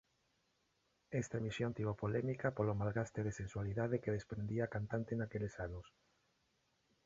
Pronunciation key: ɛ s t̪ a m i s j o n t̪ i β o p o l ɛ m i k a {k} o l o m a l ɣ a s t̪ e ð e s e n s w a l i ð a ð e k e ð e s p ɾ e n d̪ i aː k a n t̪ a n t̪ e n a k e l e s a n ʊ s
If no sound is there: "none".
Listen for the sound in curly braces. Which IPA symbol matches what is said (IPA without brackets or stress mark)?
p